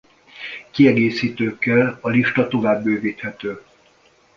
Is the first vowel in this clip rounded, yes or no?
no